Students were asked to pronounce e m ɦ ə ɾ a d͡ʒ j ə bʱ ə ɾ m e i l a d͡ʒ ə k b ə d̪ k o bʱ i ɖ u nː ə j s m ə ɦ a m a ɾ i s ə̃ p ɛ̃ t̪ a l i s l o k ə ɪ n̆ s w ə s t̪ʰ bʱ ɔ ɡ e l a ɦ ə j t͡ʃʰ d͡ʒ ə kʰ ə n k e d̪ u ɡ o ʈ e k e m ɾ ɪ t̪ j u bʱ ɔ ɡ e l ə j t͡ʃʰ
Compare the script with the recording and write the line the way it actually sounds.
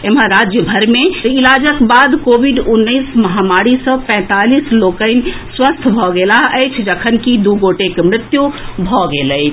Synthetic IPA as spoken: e m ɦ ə ɾ a d͡ʒ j ə bʱ ə ɾ m e i l a d͡ʒ ə k b a d̪ k o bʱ i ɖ u nː ə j s m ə ɦ a m a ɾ i s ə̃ p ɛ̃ t̪ a l i s l o k ə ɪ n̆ s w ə s t̪ʰ bʱ ɔ ɡ e l a ɦ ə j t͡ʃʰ d͡ʒ ə kʰ ə n k i d̪ u ɡ o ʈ e k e m ɾ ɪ t̪ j u bʱ ɔ ɡ e l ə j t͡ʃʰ